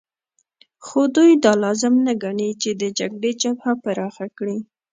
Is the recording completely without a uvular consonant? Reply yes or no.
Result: yes